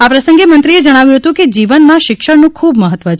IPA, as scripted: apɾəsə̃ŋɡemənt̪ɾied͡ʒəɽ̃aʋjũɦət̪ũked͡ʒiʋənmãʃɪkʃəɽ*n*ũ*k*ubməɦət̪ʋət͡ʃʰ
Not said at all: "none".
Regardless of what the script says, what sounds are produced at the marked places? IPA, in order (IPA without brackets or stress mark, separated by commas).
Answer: n, kʰ